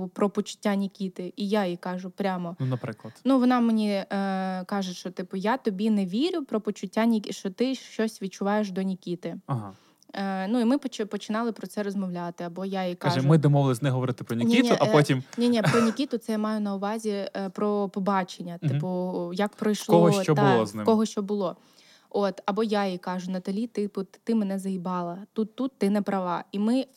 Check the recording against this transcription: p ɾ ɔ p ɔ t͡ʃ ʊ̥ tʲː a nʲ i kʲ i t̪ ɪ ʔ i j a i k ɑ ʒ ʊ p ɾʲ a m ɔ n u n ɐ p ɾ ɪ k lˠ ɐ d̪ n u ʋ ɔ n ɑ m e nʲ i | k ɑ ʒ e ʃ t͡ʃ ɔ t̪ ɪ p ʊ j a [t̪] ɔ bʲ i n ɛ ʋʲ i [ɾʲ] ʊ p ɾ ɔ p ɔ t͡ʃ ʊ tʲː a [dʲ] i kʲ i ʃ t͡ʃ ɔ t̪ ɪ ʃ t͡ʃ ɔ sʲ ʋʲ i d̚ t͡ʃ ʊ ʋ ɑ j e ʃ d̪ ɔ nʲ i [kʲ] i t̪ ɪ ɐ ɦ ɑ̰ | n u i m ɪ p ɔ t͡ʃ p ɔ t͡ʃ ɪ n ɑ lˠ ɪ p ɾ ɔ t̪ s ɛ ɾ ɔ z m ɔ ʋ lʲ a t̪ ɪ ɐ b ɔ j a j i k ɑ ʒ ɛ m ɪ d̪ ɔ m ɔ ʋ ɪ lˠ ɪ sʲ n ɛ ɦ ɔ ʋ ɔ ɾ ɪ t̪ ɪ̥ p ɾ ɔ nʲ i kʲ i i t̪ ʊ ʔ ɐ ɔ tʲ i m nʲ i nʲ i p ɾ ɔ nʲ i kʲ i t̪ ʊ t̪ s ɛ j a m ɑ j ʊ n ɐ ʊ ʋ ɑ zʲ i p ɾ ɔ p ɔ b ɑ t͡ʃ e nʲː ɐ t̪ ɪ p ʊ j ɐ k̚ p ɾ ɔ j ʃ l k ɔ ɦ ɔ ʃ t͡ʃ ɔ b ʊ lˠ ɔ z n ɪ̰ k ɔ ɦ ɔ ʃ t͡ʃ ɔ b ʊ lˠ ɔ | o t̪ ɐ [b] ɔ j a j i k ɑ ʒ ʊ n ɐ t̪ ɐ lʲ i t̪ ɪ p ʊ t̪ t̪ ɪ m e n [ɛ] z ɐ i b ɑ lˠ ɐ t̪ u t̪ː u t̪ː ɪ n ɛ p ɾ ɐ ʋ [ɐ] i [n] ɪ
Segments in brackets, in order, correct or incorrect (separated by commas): correct, correct, incorrect, correct, correct, correct, incorrect, incorrect